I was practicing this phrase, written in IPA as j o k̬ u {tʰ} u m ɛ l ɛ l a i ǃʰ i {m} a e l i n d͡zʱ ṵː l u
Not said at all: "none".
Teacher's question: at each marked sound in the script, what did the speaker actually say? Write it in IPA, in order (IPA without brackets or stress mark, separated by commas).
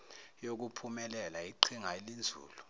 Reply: pʰ, ŋ